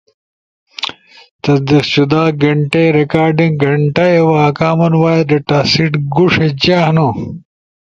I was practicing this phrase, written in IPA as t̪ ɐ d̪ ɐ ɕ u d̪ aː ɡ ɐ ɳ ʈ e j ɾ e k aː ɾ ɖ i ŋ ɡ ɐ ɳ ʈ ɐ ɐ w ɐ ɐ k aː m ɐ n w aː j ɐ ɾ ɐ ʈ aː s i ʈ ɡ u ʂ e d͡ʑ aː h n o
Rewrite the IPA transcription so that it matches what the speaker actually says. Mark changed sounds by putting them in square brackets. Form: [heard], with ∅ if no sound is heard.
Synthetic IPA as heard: t̪ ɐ d̪ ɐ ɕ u d̪ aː ɡ ɐ ɳ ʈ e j ɾ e k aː ɾ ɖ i ŋ ɡ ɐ ɳ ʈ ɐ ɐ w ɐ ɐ k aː m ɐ n w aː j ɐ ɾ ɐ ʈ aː s i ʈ ɡ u ʂ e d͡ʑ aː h n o

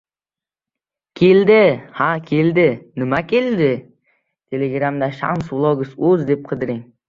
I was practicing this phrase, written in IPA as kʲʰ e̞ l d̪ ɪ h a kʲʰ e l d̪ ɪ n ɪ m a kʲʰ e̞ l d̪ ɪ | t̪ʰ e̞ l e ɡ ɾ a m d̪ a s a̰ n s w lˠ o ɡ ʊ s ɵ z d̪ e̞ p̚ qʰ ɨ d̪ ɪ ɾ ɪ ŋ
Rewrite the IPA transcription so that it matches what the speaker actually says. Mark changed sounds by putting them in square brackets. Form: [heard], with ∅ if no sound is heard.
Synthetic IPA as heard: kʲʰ e̞ l d̪ ɪ h a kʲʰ e l d̪ ɪ n ɪ m a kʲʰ e̞ l d̪ ɪ | t̪ʰ e̞ l e ɡ ɾ a m d̪ a [ʃ] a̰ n s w lˠ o ɡ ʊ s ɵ z d̪ e̞ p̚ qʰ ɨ d̪ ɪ ɾ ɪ ŋ

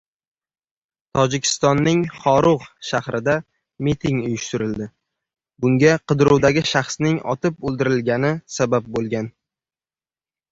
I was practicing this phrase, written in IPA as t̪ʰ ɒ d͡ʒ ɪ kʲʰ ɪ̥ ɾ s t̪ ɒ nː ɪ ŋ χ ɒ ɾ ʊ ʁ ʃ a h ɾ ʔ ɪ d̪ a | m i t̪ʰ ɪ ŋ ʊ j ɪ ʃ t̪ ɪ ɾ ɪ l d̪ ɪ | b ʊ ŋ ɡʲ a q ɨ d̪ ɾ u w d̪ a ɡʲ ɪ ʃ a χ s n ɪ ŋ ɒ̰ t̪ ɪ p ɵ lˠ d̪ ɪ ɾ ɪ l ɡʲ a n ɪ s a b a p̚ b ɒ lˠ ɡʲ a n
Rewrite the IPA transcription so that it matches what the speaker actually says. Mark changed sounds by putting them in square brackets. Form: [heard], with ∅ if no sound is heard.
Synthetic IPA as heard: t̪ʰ ɒ d͡ʒ ɪ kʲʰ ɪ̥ [∅] s t̪ ɒ nː ɪ ŋ χ ɒ ɾ ʊ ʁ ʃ a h ɾ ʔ ɪ d̪ a | m i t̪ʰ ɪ ŋ ʊ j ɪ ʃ t̪ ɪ ɾ ɪ l d̪ ɪ | b ʊ ŋ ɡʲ a q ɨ d̪ ɾ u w d̪ a ɡʲ ɪ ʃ a χ s n ɪ ŋ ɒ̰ t̪ ɪ p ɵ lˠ d̪ ɪ ɾ ɪ l ɡʲ a n ɪ s a b a p̚ b [o] lˠ ɡʲ a n

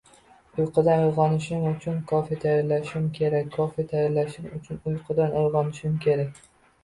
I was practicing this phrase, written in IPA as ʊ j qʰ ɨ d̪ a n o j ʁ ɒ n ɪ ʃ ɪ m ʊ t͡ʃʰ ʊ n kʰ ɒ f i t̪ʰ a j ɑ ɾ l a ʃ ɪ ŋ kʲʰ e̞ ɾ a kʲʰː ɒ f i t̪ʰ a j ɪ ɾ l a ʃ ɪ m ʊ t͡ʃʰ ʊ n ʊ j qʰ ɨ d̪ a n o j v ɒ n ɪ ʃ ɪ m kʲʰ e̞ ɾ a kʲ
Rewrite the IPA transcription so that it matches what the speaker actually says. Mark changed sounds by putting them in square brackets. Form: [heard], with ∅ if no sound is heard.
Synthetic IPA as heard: ʊ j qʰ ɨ d̪ a n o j ʁ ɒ n ɪ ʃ ɪ m ʊ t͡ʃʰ ʊ n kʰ ɒ f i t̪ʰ a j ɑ ɾ l a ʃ ɪ [m] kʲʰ e̞ ɾ a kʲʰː ɒ f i t̪ʰ a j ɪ ɾ l a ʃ ɪ m ʊ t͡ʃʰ ʊ n ʊ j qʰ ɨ d̪ a n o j [ʁ] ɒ n ɪ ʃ ɪ m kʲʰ e̞ ɾ a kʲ

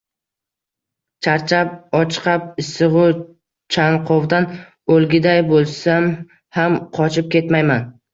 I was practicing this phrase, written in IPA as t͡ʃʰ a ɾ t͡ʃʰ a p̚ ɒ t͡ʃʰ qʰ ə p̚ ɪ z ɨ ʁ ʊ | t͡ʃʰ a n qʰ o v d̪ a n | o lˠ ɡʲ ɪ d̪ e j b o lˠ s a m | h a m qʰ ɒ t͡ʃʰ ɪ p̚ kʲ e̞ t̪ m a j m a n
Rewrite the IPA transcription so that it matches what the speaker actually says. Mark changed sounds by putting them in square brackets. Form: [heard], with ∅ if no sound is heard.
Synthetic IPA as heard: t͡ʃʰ a ɾ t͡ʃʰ a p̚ ɒ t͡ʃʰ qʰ [ɑ] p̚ ɪ [s] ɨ ʁ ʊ | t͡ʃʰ a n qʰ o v d̪ a n | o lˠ ɡʲ ɪ d̪ [a] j b o lˠ s a m | h a m qʰ ɒ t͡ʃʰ ɪ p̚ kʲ e̞ t̪ m a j m a n

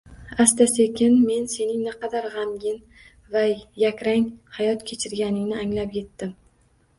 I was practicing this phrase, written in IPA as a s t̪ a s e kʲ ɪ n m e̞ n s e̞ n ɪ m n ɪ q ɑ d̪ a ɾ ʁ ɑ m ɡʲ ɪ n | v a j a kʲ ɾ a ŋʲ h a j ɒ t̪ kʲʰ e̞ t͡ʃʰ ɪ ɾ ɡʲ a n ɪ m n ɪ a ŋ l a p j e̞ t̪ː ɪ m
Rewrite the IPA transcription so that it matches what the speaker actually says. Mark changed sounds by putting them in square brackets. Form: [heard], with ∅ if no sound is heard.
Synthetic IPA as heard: a s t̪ a s e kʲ ɪ n m e̞ n s e̞ n ɪ [ŋ] n ɪ q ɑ d̪ a ɾ ʁ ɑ m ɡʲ ɪ n | v a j a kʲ ɾ a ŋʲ h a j ɒ t̪ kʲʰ e̞ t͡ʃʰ ɪ ɾ ɡʲ a n ɪ [ŋ] n ɪ a ŋ l a p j e̞ t̪ː ɪ m

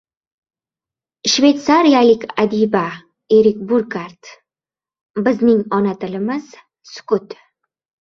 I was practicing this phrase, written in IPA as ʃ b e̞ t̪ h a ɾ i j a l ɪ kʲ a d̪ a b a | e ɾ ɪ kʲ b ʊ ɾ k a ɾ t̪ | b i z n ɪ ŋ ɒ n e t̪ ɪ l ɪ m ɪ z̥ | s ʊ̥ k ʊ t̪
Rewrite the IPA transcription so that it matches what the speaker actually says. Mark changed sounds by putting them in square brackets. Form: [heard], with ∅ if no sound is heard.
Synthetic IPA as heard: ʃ [v] e̞ t̪ [s] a ɾ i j a l ɪ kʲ a d̪ [i] b a | e ɾ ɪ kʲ b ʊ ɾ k a ɾ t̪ | b [ɪ] z n ɪ ŋ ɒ n [a] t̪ ɪ l ɪ m ɪ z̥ | s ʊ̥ k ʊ t̪

